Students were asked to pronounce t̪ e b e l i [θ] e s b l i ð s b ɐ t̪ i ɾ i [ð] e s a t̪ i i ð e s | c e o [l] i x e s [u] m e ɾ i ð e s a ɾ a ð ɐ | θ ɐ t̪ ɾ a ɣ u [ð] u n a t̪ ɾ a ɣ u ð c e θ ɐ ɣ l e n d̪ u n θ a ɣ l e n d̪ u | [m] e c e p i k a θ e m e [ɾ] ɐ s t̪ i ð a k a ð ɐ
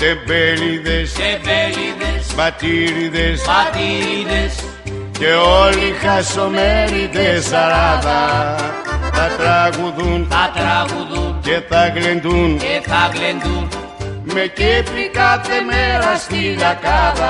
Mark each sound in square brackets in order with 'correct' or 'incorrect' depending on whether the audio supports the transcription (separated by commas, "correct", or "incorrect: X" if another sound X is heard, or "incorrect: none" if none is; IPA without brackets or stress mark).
incorrect: ð, correct, correct, incorrect: o, correct, correct, correct